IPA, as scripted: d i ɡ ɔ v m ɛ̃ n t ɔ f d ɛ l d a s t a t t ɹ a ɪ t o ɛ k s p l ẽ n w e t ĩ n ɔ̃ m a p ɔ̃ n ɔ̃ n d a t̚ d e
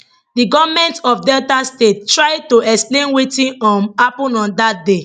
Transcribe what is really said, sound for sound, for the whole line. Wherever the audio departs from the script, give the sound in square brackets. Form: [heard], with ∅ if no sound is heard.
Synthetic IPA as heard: d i ɡ ɔ v m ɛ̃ n t ɔ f d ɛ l [t] a s t [e] t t ɹ a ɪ t o ɛ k s p l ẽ n w e t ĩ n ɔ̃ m a p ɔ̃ n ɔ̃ n d a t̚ d e

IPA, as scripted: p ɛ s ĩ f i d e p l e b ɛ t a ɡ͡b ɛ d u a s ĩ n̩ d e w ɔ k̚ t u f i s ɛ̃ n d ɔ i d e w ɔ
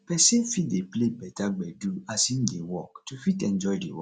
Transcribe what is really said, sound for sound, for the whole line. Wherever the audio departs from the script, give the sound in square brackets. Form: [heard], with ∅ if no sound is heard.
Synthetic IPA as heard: p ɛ s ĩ f i d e p l e b ɛ t a ɡ͡b ɛ d u a s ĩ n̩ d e w ɔ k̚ t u f i [t] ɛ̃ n [d͡ʒ] ɔ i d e w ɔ

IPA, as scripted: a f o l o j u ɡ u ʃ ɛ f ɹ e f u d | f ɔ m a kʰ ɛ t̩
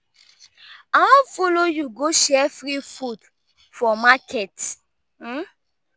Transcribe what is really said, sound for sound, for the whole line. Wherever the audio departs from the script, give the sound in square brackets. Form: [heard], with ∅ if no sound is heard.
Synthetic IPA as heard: a f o l o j u ɡ [o] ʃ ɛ f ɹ [i] f u d | f ɔ m a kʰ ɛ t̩

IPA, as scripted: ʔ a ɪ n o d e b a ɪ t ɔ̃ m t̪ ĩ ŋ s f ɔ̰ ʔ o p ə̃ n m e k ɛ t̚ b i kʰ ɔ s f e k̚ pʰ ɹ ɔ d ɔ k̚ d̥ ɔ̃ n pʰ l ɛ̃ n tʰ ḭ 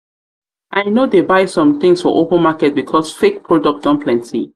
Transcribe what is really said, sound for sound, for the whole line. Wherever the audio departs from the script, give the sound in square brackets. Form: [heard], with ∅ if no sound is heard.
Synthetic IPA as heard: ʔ a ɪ n o d e b a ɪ [s] ɔ̃ m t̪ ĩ ŋ s f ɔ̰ ʔ o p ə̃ n m [a] k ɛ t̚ b i kʰ ɔ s f e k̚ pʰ ɹ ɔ d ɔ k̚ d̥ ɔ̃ n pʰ l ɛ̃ n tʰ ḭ

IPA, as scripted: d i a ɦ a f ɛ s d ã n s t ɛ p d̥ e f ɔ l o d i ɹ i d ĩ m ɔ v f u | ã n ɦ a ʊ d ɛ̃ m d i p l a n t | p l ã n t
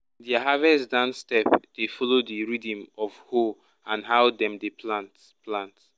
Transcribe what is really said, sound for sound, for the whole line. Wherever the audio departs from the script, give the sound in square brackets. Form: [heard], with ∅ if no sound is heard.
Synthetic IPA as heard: d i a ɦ a [v] ɛ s d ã n s t ɛ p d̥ e f ɔ l o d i ɹ i d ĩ m ɔ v [h] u | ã n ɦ a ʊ d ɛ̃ m d [e] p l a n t | p l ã n t

